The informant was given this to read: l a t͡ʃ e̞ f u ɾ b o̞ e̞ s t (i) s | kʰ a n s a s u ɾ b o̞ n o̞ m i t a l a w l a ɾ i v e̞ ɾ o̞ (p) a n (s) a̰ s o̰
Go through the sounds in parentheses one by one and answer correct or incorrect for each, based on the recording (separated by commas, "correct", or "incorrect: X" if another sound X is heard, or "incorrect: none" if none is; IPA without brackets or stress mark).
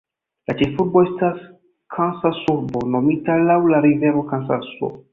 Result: incorrect: a, incorrect: k, correct